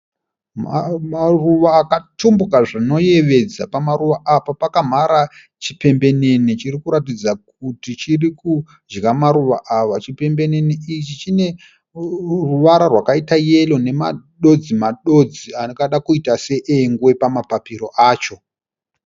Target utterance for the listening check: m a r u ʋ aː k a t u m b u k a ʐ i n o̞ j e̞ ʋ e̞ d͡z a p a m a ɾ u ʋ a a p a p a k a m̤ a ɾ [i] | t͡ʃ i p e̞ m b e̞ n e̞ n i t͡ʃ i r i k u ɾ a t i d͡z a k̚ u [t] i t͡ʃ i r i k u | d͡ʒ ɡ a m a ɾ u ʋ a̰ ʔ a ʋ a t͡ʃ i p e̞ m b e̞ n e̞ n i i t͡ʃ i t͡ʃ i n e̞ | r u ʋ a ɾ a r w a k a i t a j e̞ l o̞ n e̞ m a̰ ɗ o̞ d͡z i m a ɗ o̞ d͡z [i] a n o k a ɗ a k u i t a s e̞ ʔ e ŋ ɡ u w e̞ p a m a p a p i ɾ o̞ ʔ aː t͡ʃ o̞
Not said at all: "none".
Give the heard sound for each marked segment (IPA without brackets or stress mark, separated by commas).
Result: a, t, i